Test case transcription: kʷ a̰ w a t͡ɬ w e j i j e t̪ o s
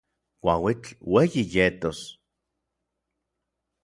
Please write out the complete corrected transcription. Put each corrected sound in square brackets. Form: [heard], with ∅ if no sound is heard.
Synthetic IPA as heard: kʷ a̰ w [i] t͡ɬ w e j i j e t̪ o s